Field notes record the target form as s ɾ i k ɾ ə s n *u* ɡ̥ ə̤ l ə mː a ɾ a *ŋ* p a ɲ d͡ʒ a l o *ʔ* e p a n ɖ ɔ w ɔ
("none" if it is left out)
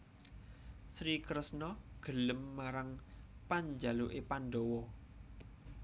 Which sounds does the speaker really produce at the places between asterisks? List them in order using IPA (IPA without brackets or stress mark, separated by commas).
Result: ɔ, ŋ, ʔ